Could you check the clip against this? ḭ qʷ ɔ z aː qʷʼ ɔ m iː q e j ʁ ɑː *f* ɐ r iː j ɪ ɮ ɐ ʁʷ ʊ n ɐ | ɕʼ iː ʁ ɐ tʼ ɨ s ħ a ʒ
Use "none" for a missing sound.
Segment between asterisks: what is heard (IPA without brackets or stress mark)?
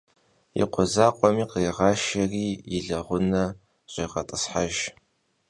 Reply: ʃ